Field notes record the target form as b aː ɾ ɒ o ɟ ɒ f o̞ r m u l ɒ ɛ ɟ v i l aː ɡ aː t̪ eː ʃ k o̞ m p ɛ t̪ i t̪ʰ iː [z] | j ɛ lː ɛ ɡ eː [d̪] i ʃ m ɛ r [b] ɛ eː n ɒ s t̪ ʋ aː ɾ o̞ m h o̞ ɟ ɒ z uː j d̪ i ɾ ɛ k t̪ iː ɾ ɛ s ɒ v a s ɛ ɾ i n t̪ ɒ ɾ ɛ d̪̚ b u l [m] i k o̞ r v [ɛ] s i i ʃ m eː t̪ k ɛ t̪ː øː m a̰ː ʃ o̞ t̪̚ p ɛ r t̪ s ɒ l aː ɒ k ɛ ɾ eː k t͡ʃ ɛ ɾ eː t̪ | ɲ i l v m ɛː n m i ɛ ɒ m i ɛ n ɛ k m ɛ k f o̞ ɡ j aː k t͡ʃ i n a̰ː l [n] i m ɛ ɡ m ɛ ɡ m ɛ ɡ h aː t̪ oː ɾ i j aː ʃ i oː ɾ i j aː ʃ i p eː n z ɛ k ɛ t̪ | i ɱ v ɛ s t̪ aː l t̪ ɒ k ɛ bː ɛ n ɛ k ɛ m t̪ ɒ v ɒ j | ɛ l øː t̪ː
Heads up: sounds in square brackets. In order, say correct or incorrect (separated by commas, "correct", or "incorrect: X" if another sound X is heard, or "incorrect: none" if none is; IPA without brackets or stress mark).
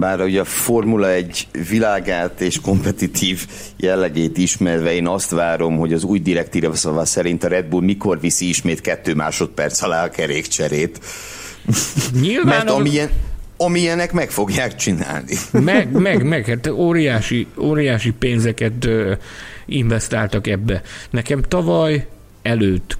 incorrect: v, incorrect: t̪, incorrect: v, correct, incorrect: i, correct